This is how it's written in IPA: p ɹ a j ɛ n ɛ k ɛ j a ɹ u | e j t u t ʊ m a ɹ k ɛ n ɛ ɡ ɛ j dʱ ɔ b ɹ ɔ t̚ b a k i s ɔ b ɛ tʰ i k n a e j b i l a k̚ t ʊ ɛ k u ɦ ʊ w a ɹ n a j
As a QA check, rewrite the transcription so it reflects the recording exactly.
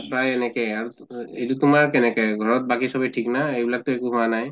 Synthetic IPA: p ɹ a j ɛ n ɛ k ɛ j a ɹ u | e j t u t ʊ m a ɹ k ɛ n ɛ k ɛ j ɡʱ ɔ ɹ ɔ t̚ b a k i s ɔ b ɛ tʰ i k n a e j b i l a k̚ t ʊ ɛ k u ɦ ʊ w a n a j